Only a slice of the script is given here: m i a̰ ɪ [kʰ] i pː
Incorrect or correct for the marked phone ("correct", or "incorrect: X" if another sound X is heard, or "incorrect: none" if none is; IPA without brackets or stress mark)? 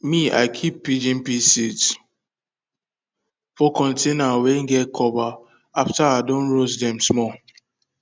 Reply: correct